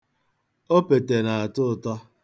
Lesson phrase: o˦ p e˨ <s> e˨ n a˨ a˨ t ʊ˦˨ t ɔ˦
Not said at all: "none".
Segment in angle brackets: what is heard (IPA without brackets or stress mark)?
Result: t